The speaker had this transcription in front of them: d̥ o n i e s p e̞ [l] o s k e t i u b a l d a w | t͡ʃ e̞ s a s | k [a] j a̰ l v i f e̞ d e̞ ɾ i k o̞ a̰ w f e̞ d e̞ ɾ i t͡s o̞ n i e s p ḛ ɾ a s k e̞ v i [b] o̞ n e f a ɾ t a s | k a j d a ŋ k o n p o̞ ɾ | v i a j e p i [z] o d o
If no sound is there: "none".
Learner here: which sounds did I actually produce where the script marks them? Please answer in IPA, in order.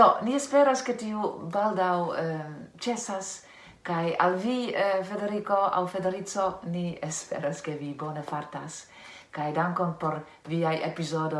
ɾ, a, b, z

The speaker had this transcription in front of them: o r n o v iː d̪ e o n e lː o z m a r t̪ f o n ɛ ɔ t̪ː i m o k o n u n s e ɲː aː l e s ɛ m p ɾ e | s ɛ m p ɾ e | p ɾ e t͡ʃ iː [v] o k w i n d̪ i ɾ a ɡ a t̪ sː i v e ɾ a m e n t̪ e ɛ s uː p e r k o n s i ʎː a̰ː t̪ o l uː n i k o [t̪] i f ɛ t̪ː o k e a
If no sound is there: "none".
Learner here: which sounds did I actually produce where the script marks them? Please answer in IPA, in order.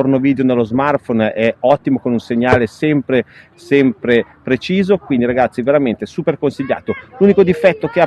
z, d̪

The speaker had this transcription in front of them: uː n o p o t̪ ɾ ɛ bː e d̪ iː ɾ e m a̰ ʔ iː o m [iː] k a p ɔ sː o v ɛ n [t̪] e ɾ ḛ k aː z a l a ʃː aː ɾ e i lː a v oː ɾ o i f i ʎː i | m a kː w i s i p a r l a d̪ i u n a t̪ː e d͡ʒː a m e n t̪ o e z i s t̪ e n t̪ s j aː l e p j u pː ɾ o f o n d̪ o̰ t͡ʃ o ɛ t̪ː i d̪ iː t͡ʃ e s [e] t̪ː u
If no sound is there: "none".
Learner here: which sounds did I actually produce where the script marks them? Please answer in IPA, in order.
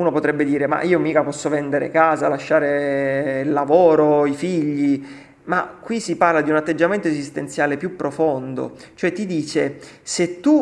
iː, d̪, e

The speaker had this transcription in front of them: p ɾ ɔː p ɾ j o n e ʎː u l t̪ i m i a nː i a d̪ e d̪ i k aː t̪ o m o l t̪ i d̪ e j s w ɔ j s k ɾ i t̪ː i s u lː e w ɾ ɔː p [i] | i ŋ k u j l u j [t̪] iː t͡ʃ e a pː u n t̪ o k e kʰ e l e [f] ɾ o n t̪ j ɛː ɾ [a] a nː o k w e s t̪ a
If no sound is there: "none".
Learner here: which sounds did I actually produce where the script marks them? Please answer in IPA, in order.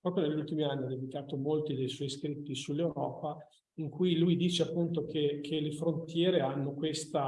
a, d̪, f, e

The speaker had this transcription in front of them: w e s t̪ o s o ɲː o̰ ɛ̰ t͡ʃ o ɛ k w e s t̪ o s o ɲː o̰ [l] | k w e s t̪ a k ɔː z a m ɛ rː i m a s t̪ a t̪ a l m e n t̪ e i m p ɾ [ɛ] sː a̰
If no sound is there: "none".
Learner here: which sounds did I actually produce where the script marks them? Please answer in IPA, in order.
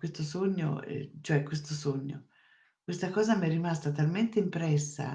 none, ɛ

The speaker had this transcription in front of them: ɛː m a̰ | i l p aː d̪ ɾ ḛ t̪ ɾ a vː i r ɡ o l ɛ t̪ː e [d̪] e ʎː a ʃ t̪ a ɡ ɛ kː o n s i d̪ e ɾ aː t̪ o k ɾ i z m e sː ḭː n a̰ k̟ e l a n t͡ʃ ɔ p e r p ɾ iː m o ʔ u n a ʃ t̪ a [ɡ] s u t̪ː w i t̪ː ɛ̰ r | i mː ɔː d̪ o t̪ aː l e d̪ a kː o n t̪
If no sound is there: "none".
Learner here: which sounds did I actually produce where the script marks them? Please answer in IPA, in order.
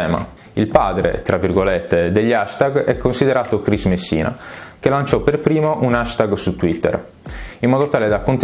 d̪, ɡ

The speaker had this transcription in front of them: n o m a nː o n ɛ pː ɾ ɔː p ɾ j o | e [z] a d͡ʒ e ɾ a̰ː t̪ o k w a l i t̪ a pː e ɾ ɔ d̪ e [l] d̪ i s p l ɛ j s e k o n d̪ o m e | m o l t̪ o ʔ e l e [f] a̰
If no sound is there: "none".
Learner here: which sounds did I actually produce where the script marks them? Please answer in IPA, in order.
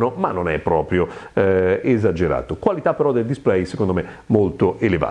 z, l, v

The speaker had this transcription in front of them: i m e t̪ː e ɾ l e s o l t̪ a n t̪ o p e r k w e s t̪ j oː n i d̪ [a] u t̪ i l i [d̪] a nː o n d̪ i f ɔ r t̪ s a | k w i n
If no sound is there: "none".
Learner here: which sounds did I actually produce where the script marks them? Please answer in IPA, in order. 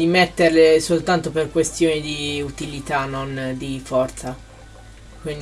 i, t̪

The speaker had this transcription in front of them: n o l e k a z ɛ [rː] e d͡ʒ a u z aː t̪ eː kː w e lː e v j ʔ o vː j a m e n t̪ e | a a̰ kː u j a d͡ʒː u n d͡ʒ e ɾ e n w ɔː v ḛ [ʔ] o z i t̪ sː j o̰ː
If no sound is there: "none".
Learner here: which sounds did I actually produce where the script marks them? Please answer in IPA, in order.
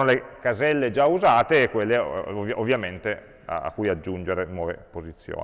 lː, p

